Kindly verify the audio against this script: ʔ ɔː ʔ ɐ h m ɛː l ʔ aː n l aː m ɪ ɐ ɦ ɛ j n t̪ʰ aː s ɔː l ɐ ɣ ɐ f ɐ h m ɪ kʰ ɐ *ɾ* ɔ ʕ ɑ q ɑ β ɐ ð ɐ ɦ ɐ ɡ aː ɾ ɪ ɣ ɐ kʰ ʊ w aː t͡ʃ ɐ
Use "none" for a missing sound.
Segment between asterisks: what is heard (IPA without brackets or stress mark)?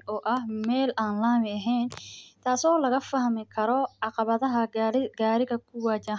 ɾ